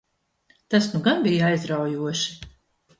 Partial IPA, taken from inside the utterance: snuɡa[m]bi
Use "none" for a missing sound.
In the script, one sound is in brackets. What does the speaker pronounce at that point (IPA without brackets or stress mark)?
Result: n